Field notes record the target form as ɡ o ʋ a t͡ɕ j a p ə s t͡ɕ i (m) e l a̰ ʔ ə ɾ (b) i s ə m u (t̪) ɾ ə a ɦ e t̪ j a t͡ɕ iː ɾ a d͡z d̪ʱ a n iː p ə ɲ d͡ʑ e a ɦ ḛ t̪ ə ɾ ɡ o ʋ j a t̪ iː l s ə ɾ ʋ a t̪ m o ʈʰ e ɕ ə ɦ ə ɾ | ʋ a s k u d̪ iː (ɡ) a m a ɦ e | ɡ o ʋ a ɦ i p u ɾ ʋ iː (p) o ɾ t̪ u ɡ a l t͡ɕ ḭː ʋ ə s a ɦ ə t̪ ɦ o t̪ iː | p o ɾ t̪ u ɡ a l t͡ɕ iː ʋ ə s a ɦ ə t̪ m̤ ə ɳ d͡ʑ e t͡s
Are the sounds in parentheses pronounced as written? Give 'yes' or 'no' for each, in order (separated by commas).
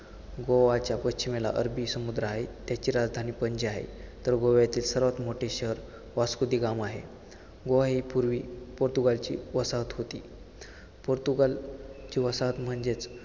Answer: yes, yes, no, yes, yes